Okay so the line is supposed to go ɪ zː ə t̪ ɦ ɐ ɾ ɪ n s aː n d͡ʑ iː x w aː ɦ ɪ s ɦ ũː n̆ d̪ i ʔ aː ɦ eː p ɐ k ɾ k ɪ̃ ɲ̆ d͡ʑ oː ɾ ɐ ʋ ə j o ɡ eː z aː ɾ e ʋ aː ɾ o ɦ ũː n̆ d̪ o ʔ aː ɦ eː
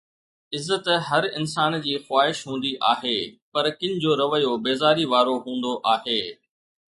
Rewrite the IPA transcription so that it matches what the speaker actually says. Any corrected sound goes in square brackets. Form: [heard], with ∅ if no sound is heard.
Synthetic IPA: ɪ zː ə t̪ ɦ ɐ ɾ ɪ n s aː n d͡ʑ iː x w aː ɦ ɪ [ʃ] ɦ ũː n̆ d̪ i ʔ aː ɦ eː p ɐ [∅] ɾ k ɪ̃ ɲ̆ d͡ʑ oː ɾ ɐ ʋ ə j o [b] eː z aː ɾ [i] ʋ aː ɾ o ɦ ũː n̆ d̪ o ʔ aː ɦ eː